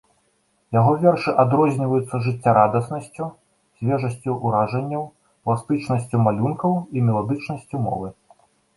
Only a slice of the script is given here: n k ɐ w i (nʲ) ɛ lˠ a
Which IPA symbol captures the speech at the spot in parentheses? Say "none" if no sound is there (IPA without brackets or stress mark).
mʲ